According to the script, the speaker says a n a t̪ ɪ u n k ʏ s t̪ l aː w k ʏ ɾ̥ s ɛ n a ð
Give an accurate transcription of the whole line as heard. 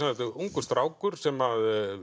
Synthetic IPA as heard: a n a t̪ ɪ u ŋ k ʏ s t̪ ɾ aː w k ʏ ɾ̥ s ɛ m a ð

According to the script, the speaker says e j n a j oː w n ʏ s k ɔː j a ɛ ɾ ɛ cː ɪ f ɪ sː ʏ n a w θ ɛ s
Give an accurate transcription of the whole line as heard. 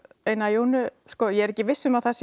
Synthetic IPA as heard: e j n a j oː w n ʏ s k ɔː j ɛ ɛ ɾ ɛ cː ɪ v ɪ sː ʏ m a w θ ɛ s

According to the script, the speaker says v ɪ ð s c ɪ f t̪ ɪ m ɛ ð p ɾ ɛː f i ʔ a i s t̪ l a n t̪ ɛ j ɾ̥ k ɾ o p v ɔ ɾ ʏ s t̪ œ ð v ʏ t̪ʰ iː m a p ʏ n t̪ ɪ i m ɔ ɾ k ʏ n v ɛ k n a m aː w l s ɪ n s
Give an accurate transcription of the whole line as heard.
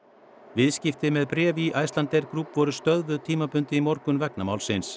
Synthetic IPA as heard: v ɪ ð s c ɪ f t̪ ɪ m ɛ ð p ɾ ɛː v i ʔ a j s t̪ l a n t̪ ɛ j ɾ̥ k ɾ u p v ɔ ɾ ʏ s t̪ œ ð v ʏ t̪ʰ iː m a p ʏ n t̪ ɪ i m ɔ ɾ k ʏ n v ɛ k n a m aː w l s ɪ n s

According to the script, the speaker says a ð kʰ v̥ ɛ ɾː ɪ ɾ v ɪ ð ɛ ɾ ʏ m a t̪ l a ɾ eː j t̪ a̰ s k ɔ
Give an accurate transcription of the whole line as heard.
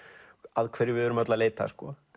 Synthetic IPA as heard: a ð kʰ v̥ ɛ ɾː ɪ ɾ v ɪ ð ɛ ɾ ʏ m a t̪ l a l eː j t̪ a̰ s k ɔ

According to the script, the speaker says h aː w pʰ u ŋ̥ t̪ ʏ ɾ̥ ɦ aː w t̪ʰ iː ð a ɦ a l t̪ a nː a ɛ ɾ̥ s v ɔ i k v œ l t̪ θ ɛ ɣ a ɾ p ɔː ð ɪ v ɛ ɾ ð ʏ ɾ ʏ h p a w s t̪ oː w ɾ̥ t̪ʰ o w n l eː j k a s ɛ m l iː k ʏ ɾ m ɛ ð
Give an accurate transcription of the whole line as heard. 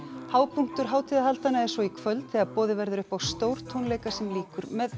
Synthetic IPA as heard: h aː w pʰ u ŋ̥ t̪ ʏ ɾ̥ ɦ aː w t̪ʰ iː ð a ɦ a l t̪ a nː a ɛ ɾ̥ s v ɔ i kʰ v œ l t̪ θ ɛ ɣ a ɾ p ɔː ð ɪ v ɛ ɾ ð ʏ ɾ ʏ h p a w s t̪ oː w ɾ̥ t̪ʰ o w n l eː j k a s ɛ m l iː k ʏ ɾ m ɛ ð

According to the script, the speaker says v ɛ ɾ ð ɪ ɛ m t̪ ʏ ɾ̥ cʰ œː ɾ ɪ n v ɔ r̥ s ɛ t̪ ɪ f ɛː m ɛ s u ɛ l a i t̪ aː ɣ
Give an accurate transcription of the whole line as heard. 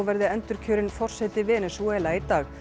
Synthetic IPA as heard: v ɛ ɾ ð ɪ ɛ n t̪ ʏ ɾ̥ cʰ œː ɾ ɪ n f ɔ r̥ s ɛ t̪ ɪ v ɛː n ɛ s u ɛ l a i t̪ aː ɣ

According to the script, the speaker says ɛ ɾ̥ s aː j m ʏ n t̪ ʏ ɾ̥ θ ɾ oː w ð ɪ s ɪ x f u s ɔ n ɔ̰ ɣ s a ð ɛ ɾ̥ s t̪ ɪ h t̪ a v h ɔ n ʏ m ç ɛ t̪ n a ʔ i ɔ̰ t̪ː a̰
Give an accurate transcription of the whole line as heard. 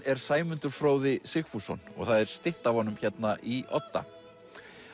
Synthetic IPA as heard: ɛ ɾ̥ s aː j m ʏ n t̪ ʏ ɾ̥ f ɾ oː w ð ɪ s ɪ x f u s ɔ n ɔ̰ ɣ θ a ð ɛ ɾ̥ s t̪ ɪ h t̪ a v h ɔ n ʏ m ç ɛ t̪ n a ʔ i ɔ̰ t̪ː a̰

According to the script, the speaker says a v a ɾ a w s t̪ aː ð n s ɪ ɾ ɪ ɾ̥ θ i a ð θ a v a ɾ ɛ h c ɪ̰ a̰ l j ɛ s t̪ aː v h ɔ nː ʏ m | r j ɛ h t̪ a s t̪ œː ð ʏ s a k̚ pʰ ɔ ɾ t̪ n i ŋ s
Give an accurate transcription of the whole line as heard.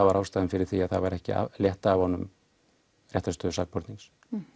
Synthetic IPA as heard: a v a ɾ a w s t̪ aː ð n f ɪ ɾ ɪ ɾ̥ θ i a ð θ a v a ɾ ɛ h c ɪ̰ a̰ l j ɛ h t̪ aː v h ɔ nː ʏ m | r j ɛ h t̪ a s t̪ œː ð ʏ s a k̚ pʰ ɔ ɾ t̪ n i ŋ s

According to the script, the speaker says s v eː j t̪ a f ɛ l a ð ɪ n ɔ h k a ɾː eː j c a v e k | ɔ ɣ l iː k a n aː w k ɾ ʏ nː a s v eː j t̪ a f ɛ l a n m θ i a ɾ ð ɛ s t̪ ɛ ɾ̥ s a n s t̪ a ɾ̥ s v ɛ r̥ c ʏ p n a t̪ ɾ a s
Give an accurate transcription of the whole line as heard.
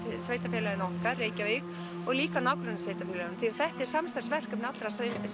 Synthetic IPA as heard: s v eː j t̪ a f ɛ l a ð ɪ n ɔ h k a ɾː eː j c a v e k | ɔ ɣ l iː k a n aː w k ɾ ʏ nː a s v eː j t̪ a f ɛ l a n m θ i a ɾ θ ɛ h t̪ ɛ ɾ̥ s a m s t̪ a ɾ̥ s v ɛ r̥ k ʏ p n a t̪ ɾ a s

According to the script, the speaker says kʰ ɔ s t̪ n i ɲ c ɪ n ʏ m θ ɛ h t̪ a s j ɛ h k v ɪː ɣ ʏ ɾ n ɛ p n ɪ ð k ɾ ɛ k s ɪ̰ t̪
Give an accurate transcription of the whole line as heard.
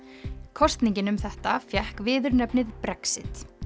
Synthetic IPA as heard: kʰ ɔ s t̪ n i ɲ c ɪ n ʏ m θ ɛ h t̪ a f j ɛ h k v ɪː ð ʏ ɾ n ɛ p n ɪ ð p ɾ ɛ k s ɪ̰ t̪

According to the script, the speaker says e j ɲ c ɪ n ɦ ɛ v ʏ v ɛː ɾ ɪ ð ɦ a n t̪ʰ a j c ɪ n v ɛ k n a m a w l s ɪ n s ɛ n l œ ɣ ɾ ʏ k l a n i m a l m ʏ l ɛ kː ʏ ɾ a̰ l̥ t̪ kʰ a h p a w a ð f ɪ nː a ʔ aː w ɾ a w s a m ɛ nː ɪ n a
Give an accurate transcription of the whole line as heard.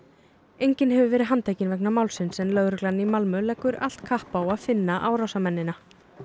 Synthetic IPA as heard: e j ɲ c ɪ n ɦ ɛ v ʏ v ɛː ɾ ɪ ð ɦ a n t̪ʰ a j c ɪ n v ɛ k n a m a w l s ɪ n s ɛ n l œ ɣ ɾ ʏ k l a n i m a l m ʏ l ɛ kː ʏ ɾ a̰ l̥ t̪ kʰ a h p a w a ð f ɪ nː a ʔ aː w ɾ a w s a m ɛ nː ɪ n a

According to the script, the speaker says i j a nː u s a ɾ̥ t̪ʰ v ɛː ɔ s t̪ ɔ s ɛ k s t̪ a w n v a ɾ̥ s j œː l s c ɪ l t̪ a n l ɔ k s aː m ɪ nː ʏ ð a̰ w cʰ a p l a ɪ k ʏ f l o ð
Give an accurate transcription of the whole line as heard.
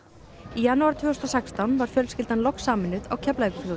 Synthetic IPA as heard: i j a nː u a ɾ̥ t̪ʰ v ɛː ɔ s t̪ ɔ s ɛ k s t̪ a w n v a ɾ̥ f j œ l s c ɪ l t̪ a n l ɔ k s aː m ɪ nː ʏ ð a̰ w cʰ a p l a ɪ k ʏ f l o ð

